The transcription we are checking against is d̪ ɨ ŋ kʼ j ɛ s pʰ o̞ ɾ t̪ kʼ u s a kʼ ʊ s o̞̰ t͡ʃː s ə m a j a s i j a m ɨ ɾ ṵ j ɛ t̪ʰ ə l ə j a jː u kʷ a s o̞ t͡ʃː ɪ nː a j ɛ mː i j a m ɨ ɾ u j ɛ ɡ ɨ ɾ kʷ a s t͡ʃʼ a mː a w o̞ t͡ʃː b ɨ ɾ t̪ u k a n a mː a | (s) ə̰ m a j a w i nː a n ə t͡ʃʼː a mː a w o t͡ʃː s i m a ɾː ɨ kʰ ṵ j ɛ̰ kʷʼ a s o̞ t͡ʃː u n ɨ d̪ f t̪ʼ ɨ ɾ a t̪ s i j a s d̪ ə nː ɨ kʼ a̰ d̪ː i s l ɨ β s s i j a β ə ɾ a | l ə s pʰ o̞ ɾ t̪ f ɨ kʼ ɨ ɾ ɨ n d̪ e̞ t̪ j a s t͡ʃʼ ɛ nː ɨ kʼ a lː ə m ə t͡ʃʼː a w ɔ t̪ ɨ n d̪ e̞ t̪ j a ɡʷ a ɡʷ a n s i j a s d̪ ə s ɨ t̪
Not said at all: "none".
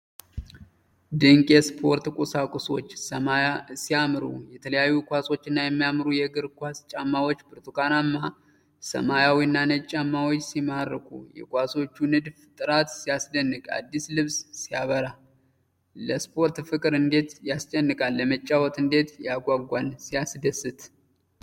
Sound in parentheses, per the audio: s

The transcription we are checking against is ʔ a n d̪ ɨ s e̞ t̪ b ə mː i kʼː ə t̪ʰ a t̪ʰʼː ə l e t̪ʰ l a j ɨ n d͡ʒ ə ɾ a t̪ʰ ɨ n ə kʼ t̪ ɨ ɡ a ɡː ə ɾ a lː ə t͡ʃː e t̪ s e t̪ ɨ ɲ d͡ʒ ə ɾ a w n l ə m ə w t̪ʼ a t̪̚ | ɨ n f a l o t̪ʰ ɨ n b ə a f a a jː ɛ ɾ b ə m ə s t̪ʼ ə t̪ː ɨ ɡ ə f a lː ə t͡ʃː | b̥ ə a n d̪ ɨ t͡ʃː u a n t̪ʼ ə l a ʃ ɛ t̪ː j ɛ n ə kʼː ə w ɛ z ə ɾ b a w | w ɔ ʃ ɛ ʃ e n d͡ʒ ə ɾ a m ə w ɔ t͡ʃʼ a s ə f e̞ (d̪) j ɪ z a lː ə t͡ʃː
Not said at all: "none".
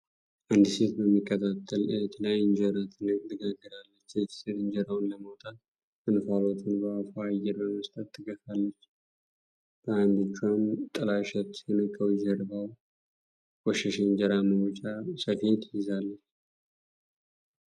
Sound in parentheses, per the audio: t̪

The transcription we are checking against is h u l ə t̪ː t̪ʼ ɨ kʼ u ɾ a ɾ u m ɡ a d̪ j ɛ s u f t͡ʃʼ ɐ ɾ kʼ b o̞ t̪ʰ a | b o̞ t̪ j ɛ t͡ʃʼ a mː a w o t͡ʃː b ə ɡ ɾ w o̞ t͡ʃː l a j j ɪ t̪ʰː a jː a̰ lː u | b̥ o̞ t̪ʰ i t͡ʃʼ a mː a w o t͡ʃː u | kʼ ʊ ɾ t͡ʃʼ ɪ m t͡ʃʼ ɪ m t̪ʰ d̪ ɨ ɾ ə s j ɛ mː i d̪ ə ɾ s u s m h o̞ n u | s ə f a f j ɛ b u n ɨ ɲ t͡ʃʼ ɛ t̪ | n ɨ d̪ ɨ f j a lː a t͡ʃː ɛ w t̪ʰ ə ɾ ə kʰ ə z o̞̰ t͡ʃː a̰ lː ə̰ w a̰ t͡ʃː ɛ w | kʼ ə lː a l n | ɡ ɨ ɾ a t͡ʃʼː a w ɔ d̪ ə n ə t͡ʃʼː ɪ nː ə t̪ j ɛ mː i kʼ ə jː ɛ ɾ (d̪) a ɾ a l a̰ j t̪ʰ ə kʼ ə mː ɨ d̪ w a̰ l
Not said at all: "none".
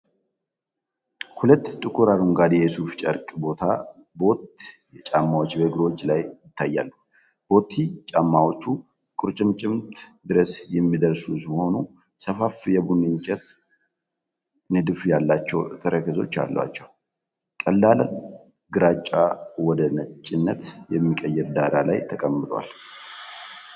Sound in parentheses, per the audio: d̪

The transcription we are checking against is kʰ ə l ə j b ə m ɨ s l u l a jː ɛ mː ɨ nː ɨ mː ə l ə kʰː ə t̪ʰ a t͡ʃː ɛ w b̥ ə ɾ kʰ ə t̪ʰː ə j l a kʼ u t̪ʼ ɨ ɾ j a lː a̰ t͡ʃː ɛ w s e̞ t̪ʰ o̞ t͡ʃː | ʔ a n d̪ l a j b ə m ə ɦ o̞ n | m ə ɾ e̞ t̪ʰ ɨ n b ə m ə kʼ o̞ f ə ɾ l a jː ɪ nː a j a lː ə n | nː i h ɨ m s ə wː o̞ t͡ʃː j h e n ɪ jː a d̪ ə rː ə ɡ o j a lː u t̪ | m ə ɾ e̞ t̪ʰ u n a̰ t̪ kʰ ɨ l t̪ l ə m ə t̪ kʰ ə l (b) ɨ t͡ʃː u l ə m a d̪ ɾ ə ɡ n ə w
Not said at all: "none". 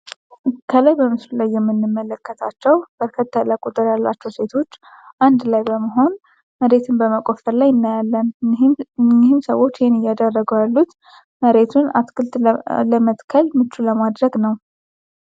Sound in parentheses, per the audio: m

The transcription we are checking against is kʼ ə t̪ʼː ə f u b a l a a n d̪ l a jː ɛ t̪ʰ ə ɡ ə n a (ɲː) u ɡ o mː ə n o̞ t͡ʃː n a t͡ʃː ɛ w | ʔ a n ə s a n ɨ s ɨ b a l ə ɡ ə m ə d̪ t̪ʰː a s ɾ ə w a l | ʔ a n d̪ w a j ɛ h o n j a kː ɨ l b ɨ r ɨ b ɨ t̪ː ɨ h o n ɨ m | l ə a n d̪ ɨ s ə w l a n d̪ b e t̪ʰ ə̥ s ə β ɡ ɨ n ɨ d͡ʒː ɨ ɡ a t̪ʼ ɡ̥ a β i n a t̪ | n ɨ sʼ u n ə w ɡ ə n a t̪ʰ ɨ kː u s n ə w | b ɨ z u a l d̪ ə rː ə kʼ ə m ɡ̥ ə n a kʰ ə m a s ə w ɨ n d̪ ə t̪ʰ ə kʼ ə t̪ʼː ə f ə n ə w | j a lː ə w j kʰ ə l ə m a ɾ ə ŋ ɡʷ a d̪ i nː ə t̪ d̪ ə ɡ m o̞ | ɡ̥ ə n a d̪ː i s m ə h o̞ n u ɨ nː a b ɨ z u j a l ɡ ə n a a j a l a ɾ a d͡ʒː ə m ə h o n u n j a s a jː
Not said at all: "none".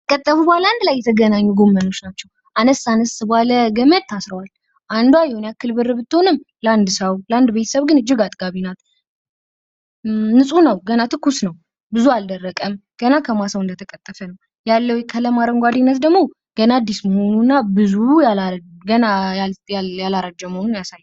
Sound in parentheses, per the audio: ɲː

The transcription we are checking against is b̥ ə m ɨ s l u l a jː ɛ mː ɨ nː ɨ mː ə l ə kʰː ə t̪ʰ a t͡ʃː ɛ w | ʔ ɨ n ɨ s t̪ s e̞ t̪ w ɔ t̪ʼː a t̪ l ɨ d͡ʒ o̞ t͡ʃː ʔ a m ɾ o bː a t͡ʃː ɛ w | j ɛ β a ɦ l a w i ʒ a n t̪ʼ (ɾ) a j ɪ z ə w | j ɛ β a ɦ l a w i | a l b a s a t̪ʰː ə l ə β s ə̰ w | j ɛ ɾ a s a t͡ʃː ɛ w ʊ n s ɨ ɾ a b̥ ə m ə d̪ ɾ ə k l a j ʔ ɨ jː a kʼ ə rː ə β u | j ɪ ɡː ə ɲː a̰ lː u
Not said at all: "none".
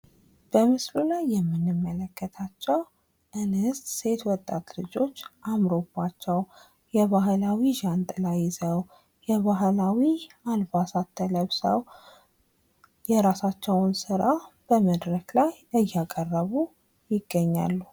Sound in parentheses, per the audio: l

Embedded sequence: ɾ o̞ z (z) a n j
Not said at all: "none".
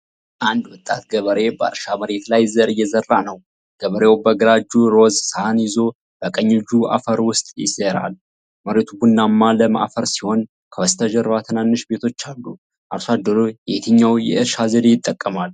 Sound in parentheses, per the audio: s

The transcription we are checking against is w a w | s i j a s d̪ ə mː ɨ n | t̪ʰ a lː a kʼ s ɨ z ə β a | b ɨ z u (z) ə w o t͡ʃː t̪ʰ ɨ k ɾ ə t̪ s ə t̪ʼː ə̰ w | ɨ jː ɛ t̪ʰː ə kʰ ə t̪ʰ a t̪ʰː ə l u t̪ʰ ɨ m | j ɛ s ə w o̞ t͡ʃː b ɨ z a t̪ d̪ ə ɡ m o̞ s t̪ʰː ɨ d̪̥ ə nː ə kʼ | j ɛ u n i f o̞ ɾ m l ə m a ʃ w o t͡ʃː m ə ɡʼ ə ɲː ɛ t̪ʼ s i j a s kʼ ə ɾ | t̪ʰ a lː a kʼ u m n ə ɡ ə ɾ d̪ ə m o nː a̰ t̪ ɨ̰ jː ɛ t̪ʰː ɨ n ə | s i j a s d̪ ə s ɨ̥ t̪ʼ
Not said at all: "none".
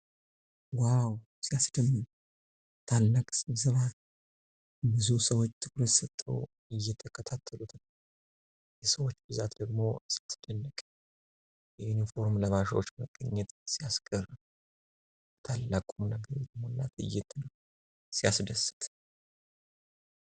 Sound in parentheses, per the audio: s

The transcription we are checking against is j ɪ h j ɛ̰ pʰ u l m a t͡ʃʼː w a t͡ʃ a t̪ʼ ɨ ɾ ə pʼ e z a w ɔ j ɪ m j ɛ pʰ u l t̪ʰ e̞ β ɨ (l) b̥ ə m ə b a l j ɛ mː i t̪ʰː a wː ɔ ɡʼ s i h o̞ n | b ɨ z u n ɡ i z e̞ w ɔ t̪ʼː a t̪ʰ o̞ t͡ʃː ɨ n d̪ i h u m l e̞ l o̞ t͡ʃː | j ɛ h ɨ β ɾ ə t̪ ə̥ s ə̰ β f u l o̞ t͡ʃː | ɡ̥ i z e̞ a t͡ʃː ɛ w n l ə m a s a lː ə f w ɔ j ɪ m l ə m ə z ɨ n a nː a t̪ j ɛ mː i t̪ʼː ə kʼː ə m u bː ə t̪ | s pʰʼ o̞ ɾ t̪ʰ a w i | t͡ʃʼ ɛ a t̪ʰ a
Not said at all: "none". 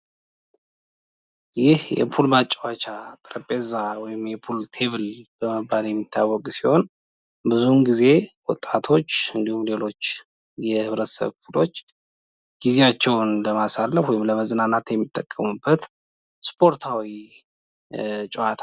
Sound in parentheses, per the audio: l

